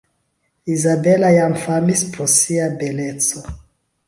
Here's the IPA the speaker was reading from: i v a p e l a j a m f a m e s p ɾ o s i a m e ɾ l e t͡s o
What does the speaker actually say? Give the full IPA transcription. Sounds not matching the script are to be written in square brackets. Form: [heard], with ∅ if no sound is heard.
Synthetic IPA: i [z] a [b] e l a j a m f a m [i] s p ɾ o s i a [b] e [∅] l e t͡s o